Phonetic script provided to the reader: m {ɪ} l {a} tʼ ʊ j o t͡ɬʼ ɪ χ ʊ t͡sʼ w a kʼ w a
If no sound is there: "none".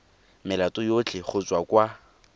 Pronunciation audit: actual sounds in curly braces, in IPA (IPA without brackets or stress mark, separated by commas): ɪ, a